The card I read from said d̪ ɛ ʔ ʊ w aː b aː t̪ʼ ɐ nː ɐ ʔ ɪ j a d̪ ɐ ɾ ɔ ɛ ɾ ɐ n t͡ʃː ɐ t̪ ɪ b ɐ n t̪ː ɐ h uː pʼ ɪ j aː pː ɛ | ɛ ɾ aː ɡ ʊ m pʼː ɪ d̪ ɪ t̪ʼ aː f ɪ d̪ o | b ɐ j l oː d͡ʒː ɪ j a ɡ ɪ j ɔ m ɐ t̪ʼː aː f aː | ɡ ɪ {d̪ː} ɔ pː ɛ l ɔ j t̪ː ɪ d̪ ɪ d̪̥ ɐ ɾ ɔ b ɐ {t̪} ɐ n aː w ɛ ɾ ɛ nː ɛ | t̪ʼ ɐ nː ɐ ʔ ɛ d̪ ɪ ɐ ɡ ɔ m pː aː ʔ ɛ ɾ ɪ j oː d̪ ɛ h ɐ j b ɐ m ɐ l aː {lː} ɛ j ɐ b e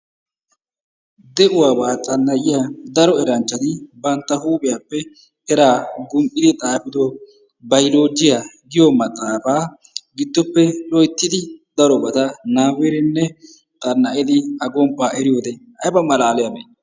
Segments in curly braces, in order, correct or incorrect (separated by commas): correct, correct, incorrect